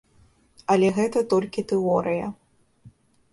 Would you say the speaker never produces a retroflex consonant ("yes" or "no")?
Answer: yes